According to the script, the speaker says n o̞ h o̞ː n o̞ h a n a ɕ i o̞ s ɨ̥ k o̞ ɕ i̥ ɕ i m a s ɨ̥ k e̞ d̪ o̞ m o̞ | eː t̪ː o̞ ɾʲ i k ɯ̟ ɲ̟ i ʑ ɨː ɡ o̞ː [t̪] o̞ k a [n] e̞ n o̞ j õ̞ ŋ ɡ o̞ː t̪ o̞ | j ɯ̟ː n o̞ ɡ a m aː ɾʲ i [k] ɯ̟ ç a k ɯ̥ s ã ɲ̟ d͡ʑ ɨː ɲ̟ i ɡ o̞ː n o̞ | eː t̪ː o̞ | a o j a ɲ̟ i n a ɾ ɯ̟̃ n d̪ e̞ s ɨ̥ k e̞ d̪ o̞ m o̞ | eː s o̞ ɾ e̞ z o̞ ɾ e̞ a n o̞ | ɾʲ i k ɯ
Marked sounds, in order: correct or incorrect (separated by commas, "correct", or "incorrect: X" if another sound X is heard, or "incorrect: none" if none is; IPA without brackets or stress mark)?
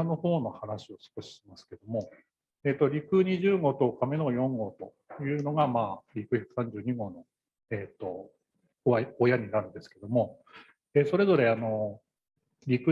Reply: correct, incorrect: m, correct